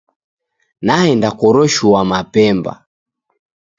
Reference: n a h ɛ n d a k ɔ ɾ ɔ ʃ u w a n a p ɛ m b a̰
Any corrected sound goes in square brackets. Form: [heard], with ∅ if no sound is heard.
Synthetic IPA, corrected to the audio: n a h ɛ n d a k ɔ ɾ ɔ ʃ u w a [m] a p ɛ m b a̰